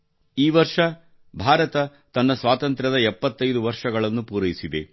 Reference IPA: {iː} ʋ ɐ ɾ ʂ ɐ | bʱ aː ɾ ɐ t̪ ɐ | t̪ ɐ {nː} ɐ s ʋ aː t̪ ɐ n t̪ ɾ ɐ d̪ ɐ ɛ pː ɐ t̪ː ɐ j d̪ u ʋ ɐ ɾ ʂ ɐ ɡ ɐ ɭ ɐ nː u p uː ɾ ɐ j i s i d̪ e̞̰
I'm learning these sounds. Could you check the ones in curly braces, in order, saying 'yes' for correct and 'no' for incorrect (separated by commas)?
yes, yes